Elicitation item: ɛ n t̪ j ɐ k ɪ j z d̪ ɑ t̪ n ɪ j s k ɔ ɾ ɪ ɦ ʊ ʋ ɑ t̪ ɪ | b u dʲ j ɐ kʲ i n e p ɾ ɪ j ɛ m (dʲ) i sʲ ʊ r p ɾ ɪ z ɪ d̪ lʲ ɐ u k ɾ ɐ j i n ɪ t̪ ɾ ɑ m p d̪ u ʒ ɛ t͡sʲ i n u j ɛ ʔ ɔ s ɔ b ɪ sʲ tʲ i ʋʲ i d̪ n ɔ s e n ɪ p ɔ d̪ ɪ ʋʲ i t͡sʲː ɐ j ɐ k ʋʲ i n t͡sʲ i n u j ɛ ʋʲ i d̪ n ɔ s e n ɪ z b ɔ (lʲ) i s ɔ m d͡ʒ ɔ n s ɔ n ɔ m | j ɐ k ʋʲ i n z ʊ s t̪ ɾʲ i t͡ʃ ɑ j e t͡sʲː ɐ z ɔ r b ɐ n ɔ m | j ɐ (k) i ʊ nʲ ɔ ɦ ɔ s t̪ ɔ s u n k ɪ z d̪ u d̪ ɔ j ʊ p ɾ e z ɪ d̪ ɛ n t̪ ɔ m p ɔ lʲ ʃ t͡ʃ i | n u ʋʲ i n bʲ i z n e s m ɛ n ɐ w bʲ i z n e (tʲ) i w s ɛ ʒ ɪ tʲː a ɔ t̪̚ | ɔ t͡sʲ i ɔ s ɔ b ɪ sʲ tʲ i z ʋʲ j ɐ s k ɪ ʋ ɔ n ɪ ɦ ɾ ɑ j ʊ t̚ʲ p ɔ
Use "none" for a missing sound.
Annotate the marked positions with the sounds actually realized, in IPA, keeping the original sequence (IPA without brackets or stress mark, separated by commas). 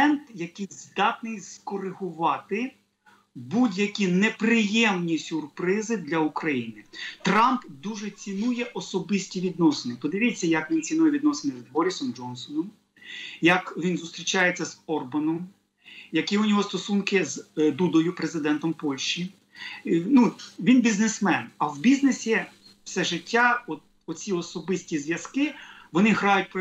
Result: nʲ, ɾʲ, k, sʲ